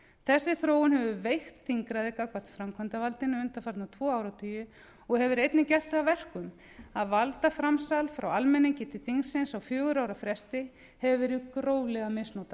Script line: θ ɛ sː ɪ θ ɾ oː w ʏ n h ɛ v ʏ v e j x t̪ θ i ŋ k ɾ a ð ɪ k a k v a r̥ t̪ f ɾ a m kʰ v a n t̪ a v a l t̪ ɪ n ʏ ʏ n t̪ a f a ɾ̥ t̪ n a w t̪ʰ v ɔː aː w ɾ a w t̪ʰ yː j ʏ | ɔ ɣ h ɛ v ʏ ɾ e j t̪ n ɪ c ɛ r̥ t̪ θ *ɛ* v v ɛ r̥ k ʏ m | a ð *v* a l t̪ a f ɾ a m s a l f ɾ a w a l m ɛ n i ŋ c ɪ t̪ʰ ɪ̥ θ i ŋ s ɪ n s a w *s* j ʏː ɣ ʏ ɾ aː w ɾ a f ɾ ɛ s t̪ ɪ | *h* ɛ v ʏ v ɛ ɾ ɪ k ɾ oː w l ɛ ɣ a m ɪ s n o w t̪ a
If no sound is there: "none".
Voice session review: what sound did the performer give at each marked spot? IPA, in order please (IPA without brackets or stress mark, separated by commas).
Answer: a, v, f, h